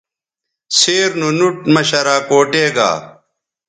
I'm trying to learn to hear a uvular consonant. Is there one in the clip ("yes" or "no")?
no